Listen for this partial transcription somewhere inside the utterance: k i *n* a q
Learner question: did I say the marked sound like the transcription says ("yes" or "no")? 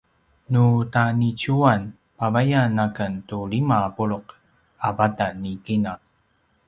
yes